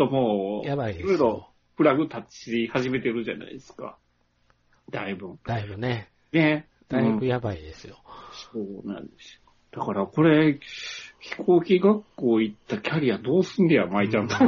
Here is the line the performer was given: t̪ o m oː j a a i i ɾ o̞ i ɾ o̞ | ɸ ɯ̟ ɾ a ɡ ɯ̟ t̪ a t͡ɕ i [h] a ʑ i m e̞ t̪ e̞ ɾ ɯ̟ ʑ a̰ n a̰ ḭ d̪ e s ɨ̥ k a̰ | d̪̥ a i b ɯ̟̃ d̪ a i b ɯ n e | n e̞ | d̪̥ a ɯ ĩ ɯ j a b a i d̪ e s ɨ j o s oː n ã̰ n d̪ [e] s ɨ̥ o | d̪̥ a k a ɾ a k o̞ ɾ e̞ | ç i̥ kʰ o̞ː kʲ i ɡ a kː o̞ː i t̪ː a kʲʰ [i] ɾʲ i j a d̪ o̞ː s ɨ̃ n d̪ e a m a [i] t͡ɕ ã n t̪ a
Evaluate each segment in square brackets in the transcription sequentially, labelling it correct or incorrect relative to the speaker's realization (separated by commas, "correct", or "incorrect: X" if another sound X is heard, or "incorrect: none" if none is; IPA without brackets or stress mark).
correct, correct, incorrect: a, correct